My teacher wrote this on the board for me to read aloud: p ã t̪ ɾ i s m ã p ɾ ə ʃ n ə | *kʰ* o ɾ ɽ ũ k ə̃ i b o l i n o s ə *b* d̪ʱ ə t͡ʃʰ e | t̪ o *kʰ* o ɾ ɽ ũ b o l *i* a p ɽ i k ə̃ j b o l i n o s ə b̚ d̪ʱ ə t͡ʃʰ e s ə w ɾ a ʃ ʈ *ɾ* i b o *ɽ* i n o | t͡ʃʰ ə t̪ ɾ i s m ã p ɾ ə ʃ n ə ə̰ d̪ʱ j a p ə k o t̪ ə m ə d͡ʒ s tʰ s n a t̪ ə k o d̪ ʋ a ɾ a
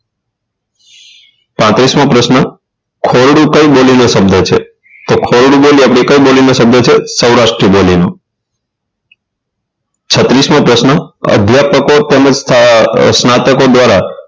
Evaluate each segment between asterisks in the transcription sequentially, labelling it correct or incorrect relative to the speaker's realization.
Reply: correct, correct, correct, correct, correct, incorrect

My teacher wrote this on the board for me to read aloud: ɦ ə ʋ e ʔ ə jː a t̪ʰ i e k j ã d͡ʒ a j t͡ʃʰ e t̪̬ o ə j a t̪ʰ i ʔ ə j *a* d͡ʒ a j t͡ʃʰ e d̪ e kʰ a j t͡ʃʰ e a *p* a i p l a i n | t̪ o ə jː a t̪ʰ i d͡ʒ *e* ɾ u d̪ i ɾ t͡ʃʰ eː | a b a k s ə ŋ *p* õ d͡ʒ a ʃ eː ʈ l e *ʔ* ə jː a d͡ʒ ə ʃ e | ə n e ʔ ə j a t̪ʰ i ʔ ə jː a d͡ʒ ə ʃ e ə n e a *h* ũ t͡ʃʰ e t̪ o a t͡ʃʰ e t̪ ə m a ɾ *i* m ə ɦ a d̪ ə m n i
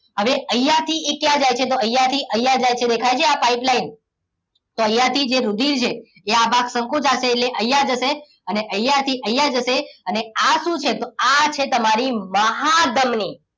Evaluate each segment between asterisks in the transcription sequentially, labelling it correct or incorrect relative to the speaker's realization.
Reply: correct, correct, correct, incorrect, correct, incorrect, correct

